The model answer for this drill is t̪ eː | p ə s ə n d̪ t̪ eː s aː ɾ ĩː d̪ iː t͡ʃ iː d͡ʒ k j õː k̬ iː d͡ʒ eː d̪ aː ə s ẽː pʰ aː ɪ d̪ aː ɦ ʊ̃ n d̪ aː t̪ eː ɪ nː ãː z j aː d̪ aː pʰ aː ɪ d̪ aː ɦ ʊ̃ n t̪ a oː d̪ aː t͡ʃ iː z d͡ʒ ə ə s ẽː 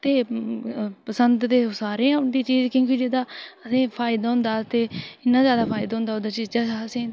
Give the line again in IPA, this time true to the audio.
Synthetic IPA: t̪ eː | p ə s ə n d̪ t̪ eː s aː ɾ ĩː d̪ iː t͡ʃ iː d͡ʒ k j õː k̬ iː d͡ʒ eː d̪ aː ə s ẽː pʰ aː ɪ d̪ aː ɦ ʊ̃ n d̪ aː t̪ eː ɪ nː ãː z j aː d̪ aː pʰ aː ɪ d̪ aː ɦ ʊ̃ n d̪ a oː d̪ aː t͡ʃ iː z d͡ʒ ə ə s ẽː